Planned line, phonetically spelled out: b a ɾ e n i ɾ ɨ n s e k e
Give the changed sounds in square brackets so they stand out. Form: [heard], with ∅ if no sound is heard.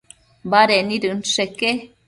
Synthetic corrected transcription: b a ɾ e n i ɾ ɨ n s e k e